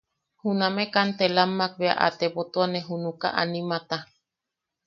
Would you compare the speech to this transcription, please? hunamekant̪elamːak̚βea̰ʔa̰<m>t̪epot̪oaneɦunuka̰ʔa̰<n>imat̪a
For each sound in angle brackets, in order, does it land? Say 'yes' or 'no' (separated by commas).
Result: no, yes